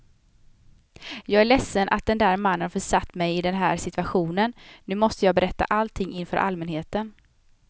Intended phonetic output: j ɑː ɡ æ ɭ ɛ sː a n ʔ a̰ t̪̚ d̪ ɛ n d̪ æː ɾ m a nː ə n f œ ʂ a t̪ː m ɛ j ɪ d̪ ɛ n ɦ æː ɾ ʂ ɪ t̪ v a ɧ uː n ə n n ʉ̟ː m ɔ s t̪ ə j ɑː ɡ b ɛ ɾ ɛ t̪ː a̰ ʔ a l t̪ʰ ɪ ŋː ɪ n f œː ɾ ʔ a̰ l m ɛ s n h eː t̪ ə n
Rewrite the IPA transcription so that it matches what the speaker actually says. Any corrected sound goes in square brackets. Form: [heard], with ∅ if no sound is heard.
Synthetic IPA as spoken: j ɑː ɡ æ ɭ ɛ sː [ə] n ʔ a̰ t̪̚ d̪ ɛ n d̪ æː ɾ m a nː ə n f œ ʂ a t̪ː m ɛ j ɪ d̪ ɛ n ɦ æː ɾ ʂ ɪ t̪ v a ɧ uː n ə n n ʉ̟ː m ɔ s t̪ ə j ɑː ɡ b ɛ ɾ ɛ t̪ː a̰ ʔ a l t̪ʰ ɪ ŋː ɪ n f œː ɾ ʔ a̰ l m ɛ [∅] n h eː t̪ ə n